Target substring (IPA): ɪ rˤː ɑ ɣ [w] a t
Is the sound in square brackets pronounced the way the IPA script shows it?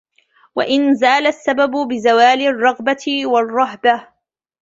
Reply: no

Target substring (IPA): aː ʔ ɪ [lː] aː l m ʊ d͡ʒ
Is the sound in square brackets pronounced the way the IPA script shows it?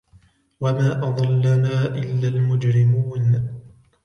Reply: yes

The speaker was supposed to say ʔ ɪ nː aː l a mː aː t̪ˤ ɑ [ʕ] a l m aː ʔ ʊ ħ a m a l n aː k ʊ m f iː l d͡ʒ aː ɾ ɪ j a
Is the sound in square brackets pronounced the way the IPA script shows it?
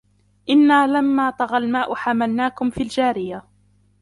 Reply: no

